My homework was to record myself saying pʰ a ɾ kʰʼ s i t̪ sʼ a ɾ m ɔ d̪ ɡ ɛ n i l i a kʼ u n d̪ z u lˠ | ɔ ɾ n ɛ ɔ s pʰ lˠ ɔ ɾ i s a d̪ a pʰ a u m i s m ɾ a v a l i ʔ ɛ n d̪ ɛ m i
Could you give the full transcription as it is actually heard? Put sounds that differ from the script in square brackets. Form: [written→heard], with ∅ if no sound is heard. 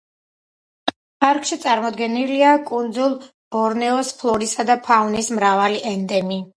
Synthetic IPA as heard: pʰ a ɾ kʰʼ [s→ʃ] i t̪ sʼ a ɾ m ɔ d̪ ɡ ɛ n i l i a kʼ u n d̪ z u lˠ | ɔ ɾ n ɛ ɔ s pʰ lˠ ɔ ɾ i s a d̪ a pʰ a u [m→n] i s m ɾ a v a l i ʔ ɛ n d̪ ɛ m i